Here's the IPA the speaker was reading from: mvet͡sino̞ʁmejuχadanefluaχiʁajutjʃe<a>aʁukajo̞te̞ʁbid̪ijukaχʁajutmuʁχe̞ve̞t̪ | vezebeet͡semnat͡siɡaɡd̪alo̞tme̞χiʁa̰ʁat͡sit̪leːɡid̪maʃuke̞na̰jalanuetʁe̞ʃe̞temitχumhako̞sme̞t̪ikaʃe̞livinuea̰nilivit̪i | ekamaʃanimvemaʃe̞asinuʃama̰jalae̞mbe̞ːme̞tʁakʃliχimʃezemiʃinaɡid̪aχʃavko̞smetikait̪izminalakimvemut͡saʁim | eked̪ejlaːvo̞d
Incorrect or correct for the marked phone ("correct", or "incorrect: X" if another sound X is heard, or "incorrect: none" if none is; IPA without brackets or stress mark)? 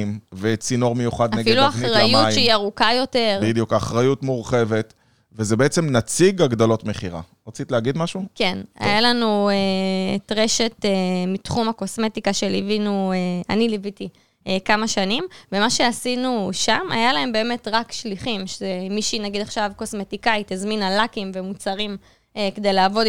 incorrect: i